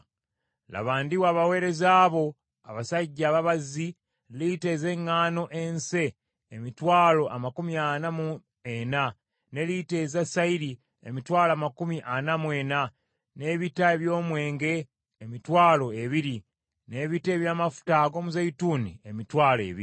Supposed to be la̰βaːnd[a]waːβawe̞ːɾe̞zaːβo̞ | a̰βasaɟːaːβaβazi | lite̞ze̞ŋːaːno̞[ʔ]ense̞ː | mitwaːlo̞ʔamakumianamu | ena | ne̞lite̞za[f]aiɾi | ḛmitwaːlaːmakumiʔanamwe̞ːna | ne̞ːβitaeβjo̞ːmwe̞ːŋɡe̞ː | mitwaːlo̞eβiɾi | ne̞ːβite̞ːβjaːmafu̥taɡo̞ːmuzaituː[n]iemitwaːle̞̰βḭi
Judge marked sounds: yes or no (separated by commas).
no, yes, no, yes